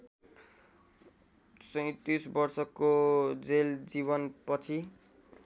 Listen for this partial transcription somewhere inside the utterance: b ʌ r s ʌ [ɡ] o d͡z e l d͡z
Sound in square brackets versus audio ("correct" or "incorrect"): incorrect